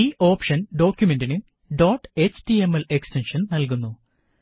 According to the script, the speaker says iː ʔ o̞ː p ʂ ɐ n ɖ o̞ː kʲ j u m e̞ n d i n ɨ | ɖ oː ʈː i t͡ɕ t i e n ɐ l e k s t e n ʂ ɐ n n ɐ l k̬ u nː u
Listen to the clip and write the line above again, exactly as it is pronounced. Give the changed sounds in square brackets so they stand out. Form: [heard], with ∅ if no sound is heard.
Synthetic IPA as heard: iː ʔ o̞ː p ʂ ɐ n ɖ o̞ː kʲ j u m e̞ n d i n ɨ | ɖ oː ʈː [e] t͡ɕ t i e [m] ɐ l e k s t e n ʂ ɐ n n ɐ l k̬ u nː u